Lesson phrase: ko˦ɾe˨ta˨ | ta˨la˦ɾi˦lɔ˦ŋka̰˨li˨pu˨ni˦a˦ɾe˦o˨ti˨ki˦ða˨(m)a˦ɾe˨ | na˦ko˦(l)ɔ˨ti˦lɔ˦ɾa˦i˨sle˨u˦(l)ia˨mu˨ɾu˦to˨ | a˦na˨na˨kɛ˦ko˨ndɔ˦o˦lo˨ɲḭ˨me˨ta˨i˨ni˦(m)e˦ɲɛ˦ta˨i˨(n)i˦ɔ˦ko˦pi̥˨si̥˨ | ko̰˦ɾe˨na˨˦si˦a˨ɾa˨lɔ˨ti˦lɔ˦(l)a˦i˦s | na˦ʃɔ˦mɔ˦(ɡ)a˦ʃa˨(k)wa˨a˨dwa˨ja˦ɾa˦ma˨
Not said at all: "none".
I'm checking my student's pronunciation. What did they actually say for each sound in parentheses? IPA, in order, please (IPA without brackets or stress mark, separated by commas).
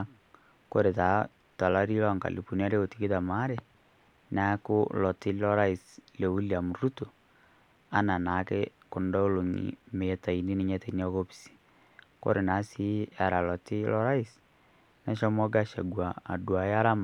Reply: m, l, l, n, n, ɾ, ɡ, ɡ